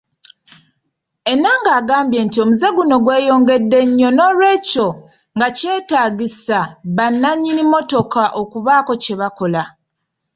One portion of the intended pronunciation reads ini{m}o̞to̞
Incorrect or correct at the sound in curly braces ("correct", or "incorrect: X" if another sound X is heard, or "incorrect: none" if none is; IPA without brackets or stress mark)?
correct